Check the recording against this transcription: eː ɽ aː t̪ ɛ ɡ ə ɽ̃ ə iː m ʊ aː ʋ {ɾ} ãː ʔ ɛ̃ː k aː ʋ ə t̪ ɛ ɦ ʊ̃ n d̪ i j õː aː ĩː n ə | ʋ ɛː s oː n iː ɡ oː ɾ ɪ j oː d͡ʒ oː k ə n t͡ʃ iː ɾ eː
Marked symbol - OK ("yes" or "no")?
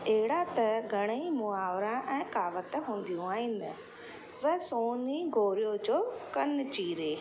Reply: yes